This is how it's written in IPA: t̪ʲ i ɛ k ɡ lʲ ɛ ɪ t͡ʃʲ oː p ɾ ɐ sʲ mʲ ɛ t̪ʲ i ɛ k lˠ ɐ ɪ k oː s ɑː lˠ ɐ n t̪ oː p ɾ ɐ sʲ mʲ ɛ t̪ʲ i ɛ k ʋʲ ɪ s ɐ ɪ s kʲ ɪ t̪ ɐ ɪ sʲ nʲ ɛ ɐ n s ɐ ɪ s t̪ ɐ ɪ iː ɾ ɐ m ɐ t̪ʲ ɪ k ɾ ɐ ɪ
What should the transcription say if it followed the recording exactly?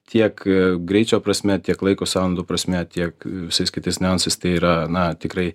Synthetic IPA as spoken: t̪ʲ i ɛ k ɡ ɾʲ ɛ ɪ t͡ʃʲ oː p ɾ ɐ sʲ mʲ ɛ t̪ʲ i ɛ k lˠ ɐ ɪ k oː s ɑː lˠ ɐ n d̪ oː p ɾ ɐ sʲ mʲ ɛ t̪ʲ i ɛ k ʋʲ ɪ s ɐ ɪ s kʲ ɪ t̪ ɐ ɪ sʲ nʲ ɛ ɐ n s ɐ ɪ s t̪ ɐ ɪ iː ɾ ɐ n ɐ t̪ʲ ɪ k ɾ ɐ ɪ